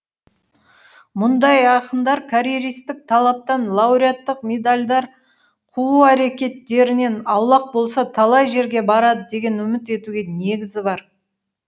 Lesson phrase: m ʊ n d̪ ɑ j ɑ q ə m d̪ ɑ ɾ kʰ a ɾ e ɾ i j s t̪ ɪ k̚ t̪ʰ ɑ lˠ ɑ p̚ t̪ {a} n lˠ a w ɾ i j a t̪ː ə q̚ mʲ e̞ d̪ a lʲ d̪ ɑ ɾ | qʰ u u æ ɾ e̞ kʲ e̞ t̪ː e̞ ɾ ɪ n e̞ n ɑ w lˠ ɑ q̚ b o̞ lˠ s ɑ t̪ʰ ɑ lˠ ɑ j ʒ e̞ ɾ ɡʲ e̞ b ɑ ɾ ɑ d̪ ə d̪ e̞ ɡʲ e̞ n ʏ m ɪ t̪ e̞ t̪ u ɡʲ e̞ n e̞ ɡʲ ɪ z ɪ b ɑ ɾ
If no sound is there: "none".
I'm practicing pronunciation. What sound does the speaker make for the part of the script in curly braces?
ɑ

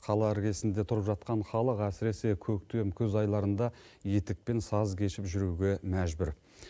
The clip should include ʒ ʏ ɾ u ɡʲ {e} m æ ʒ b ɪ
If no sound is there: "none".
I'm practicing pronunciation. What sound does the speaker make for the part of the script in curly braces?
e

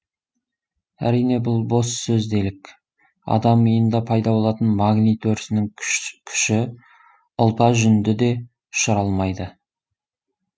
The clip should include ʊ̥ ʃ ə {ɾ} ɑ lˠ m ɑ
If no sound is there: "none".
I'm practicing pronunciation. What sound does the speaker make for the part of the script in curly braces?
ɾ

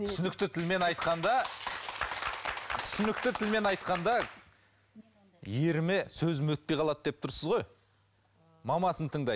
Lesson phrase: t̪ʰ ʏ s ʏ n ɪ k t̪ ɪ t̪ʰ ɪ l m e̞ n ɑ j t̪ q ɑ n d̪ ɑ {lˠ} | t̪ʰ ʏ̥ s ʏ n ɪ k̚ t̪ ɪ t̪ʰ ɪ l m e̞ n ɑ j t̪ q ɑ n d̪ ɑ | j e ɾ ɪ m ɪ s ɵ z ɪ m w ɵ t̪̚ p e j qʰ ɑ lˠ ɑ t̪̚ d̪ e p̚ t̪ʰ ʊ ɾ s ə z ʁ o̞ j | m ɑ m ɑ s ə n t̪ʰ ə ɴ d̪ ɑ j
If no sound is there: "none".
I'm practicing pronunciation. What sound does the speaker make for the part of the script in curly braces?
none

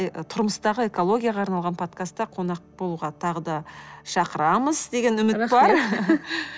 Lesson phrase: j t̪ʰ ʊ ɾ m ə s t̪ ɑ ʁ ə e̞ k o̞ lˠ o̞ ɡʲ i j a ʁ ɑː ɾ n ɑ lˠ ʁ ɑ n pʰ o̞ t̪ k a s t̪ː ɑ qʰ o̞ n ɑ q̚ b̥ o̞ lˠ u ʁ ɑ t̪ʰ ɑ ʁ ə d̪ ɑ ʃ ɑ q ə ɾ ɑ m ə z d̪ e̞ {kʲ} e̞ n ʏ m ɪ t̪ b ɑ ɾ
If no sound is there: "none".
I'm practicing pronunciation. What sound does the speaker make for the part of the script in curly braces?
ɡʲ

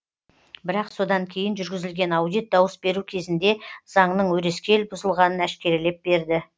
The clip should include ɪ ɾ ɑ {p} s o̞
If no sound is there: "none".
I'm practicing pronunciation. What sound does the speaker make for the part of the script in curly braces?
q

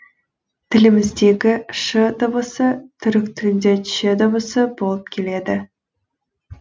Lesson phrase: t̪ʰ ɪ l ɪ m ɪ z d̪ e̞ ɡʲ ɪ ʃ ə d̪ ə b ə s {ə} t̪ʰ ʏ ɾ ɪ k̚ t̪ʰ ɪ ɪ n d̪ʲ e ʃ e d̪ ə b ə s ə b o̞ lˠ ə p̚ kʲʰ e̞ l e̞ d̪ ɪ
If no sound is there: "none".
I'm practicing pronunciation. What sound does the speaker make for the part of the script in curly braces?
ə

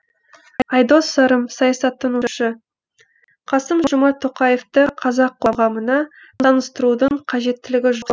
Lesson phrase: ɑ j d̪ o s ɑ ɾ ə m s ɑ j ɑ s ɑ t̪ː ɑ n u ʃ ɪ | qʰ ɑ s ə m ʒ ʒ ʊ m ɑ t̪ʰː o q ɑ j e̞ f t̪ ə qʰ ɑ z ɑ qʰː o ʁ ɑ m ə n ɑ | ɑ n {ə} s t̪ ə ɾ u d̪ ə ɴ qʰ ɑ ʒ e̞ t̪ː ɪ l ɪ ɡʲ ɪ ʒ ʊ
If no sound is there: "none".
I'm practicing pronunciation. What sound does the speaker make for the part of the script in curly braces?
ə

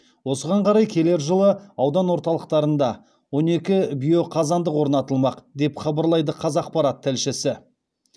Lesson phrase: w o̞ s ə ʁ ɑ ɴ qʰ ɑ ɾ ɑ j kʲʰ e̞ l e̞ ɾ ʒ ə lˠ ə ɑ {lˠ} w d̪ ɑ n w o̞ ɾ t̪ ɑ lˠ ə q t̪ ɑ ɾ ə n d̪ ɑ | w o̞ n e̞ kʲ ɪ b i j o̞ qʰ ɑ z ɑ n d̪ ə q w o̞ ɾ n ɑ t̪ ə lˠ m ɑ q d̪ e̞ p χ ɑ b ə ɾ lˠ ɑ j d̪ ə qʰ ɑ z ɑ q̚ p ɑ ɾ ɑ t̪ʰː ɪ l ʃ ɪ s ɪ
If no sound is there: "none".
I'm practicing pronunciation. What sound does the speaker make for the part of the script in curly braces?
none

